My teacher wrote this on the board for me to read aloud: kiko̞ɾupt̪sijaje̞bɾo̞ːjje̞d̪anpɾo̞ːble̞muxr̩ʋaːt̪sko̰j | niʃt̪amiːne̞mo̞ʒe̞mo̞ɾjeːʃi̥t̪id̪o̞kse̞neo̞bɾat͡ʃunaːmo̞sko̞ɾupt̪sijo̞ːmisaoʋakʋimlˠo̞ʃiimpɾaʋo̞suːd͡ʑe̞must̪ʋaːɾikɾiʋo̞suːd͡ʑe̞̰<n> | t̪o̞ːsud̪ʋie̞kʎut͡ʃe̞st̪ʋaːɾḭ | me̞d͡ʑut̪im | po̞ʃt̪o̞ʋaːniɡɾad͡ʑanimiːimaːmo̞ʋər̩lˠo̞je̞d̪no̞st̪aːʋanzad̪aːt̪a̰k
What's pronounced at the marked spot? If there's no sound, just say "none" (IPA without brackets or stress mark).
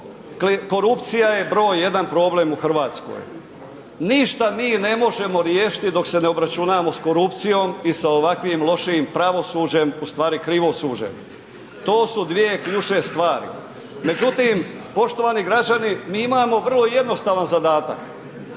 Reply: m